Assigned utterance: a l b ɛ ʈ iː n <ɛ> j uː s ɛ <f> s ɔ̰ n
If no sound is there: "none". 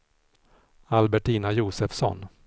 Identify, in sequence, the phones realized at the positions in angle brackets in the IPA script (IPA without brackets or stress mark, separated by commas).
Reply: a, f